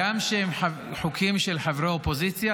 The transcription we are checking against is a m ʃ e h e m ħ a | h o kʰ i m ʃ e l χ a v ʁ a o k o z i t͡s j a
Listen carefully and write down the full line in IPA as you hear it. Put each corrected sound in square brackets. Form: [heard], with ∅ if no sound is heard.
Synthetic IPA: a m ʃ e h e m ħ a | [ħ] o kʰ i m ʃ e l [ħ] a v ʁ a o [p] o z i t͡s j a